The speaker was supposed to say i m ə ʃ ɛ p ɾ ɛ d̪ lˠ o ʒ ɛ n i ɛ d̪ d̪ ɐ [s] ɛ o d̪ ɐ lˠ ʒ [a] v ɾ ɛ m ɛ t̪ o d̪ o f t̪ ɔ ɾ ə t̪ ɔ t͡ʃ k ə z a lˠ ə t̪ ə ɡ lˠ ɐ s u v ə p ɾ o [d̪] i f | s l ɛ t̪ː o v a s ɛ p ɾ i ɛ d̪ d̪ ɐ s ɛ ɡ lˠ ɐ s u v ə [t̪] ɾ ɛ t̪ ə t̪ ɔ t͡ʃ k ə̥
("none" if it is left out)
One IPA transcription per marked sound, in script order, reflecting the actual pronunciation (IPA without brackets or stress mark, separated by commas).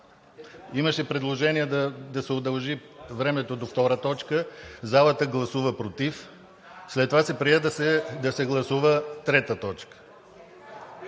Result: s, i, t̪, t̪